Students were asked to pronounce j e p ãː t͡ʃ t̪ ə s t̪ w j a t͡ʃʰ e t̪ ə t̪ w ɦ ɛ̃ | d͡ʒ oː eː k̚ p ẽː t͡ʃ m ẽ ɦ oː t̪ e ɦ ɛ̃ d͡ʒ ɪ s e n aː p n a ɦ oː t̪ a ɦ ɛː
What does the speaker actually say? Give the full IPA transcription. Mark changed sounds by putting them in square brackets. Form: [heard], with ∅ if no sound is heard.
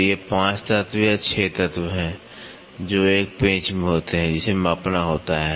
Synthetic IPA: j e p ãː t͡ʃ t̪ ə [∅] t̪ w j a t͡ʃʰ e t̪ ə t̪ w ɦ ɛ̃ | d͡ʒ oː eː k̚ p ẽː t͡ʃ m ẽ ɦ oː t̪ e ɦ ɛ̃ d͡ʒ ɪ s e [m] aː p n a ɦ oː t̪ a ɦ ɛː